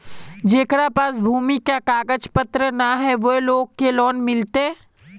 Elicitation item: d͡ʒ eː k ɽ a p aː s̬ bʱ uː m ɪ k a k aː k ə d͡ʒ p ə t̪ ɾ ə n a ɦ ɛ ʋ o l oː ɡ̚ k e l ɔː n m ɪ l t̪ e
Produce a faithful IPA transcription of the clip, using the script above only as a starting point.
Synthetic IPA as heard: d͡ʒ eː k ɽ a p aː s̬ bʱ uː m i k a k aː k ə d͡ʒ p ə t̪ ɾ ə n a ɦ ɛ ʋ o l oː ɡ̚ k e l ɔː n m ɪ l t̪ e

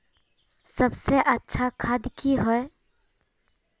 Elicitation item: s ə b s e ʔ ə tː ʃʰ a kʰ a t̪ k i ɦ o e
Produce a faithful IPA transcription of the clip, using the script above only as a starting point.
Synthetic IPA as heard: s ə b s e ʔ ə tː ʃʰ a kʰ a d̪ k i ɦ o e

